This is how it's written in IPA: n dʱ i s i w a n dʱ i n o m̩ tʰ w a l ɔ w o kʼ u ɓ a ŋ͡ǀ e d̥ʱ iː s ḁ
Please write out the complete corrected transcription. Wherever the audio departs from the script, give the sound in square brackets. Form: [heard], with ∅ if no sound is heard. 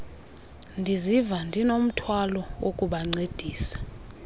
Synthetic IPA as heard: n dʱ i [z] i [v] a n dʱ i n o m̩ tʰ w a l ɔ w o kʼ u ɓ a ŋ͡ǀ e d̥ʱ iː s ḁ

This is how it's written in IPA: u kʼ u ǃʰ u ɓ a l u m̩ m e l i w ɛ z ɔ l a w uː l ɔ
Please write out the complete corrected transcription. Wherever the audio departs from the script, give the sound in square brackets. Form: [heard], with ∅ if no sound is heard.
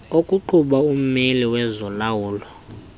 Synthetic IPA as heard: [o] kʼ u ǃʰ u ɓ a [∅] u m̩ m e l i w ɛ z ɔ l a w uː l ɔ

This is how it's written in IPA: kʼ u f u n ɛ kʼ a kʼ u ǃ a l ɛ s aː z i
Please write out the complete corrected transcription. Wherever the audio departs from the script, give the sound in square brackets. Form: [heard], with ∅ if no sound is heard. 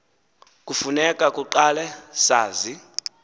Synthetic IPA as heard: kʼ u f u n ɛ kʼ a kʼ u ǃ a l ɛ s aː z i

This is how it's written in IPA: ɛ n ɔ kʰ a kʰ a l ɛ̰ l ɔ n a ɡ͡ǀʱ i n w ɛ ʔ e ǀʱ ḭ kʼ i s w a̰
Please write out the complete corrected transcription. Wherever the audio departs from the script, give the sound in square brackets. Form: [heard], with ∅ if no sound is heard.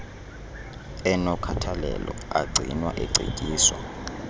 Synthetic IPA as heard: ɛ n ɔ kʰ a [tʰ] a l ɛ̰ l ɔ [∅] a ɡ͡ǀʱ i n w [a] ʔ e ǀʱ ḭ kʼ [iː] s w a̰

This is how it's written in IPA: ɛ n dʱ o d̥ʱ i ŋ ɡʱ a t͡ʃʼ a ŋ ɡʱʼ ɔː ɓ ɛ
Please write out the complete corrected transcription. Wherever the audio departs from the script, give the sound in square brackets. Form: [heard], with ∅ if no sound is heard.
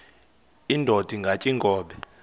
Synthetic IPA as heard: [i] n dʱ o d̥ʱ i ŋ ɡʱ a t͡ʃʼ [i] ŋ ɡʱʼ ɔː ɓ ɛ

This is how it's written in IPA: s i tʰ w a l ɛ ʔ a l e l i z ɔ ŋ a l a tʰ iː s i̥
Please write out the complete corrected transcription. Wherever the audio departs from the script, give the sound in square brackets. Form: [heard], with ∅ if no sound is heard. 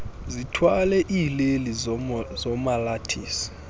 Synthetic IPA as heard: [z] i tʰ w a l ɛ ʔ [i] l e l i z ɔ [m] a l a tʰ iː s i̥

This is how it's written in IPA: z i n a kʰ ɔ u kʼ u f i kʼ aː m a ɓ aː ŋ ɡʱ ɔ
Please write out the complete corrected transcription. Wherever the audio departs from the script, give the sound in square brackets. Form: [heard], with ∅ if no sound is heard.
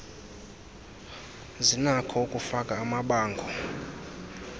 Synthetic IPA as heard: z i n a kʰ ɔ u kʼ u f [a] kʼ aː m a ɓ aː ŋ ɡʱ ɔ

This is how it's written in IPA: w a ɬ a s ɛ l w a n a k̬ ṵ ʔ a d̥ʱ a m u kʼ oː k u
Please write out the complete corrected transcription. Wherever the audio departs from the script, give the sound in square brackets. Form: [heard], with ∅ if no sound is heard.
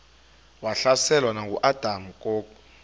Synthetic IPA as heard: w a ɬ a s ɛ l w a n a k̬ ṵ ʔ a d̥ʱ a m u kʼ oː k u

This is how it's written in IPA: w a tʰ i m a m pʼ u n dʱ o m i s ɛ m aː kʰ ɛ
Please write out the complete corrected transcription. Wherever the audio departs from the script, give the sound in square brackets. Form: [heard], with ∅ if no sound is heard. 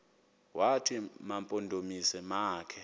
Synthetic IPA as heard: w a tʰ i m a m pʼ [o] n dʱ o m i s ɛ m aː kʰ ɛ

